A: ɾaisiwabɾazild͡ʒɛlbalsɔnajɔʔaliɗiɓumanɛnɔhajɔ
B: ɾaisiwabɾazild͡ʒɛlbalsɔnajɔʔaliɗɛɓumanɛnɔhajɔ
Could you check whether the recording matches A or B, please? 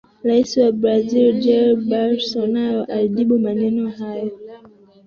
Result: A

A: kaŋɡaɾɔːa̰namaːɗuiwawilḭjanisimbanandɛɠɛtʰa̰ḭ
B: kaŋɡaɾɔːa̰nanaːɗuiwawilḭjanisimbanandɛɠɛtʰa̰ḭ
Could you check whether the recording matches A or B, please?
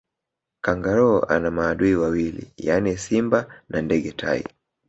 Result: A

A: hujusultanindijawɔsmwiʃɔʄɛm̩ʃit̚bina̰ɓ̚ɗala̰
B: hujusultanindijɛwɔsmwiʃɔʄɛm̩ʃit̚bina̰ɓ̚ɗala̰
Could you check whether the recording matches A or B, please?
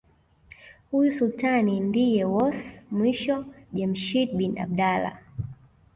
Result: B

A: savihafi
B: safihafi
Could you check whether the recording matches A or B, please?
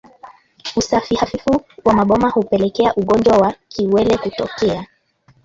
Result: B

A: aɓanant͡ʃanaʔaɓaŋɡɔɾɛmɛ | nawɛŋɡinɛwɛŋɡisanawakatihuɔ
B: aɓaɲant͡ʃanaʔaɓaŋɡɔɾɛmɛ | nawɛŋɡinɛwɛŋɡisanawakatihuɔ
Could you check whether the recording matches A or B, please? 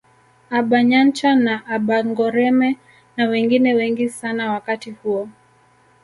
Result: B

